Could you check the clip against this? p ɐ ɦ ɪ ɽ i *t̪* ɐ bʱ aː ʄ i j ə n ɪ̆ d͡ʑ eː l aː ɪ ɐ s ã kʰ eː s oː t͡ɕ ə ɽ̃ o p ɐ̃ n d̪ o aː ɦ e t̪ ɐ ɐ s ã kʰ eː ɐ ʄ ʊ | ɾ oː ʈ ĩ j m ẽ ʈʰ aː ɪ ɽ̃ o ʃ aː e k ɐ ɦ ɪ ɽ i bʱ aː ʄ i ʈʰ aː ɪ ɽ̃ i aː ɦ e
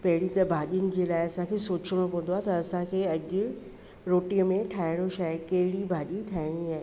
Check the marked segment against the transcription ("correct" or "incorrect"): correct